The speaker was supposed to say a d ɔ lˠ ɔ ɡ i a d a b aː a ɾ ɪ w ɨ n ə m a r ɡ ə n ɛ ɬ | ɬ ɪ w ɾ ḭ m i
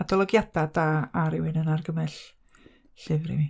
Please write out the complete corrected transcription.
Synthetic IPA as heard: a d ɔ lˠ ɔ ɡ j a d a d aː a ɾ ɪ w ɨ n ə n a r ɡ ə m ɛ ɬ | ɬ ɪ v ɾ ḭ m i

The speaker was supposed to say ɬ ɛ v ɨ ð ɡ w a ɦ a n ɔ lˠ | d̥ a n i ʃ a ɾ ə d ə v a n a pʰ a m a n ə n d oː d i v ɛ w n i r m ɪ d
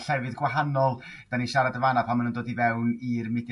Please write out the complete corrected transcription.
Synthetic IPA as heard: ɬ ɛ v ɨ ð ɡ w a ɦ a n ɔ lˠ | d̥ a n i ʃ a ɾ a d ə v a n a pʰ a m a n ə n d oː d i v ɛ w n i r m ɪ d

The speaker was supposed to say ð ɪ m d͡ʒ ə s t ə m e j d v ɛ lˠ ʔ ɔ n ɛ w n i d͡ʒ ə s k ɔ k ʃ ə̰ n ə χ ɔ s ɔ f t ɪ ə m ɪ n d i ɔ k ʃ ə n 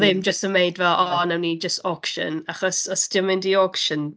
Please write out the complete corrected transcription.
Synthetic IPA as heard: ð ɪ m d͡ʒ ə s t ə m e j d v ɛ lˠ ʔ ɔ n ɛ w n i d͡ʒ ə s t ɔ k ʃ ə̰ n a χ ɔ s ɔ s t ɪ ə m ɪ n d i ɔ k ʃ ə n

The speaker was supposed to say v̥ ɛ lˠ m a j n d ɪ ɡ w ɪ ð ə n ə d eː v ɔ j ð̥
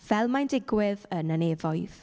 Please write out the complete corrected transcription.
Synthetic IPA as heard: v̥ ɛ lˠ m a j n d ɪ ɡ w ɪ ð ə n ə n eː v ɔ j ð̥

